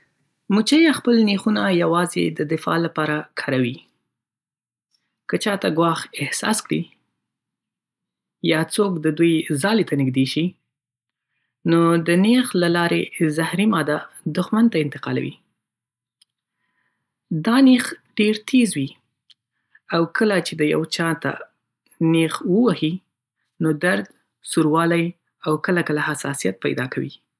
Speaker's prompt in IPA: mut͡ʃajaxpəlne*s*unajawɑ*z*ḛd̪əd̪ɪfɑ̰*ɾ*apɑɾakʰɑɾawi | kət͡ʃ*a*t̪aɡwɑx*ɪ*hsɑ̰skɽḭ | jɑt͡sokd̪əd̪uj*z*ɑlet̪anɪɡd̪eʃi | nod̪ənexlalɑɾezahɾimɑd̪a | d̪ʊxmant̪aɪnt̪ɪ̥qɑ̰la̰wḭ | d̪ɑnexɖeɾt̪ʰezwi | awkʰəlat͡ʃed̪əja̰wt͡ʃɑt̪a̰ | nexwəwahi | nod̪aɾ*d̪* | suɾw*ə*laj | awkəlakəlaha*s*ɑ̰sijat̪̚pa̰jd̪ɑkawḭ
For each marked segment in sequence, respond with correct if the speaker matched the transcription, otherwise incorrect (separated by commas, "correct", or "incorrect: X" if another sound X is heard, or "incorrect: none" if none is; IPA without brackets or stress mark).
incorrect: x, correct, incorrect: l, incorrect: ɑ, correct, correct, correct, incorrect: ɑ, correct